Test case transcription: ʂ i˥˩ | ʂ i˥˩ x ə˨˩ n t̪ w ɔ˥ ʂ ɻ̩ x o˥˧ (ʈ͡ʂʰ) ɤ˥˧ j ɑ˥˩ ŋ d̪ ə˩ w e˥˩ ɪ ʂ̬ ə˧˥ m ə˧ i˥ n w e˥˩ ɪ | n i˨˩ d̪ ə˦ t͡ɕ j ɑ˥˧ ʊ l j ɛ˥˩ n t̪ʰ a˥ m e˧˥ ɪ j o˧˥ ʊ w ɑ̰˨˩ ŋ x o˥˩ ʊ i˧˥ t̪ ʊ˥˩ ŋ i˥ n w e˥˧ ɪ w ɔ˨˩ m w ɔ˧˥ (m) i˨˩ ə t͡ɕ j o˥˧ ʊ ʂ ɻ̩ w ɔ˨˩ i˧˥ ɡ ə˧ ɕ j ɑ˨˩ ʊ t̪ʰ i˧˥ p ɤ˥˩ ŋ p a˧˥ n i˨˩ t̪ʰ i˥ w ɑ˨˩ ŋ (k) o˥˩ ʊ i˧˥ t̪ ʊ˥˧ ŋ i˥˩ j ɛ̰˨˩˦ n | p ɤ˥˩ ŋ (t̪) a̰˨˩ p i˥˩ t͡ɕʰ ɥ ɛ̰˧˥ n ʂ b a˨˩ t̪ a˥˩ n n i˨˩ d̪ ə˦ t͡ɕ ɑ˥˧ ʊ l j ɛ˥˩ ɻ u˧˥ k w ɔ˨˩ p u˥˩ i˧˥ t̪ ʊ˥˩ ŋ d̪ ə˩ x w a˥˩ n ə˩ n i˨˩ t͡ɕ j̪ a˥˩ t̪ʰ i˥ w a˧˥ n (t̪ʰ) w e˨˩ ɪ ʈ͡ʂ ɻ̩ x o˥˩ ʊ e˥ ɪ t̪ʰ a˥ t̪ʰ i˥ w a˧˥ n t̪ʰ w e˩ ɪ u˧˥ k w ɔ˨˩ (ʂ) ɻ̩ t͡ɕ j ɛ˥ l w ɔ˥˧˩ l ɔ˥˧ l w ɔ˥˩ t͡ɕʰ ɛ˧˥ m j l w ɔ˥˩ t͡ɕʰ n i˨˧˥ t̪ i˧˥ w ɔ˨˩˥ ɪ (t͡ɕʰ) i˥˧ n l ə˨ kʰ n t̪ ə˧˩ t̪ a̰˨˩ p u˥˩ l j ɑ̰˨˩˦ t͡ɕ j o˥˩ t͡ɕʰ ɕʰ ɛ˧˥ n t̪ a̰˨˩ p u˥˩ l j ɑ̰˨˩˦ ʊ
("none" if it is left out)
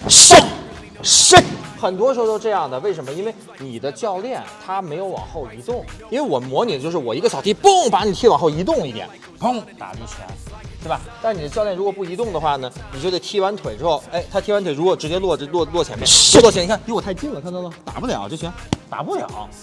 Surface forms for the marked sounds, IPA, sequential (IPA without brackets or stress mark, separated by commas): ʈ͡ʂ, n, x, t̪, t̪ʰ, ʈ͡ʂ, t͡ɕ